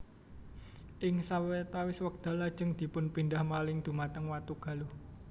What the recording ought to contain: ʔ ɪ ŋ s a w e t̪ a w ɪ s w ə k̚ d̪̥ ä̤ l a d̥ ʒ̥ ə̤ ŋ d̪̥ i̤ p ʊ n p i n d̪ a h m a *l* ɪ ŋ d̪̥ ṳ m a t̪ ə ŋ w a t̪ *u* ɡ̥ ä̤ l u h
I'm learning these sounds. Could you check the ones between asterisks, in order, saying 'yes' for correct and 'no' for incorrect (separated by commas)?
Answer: yes, yes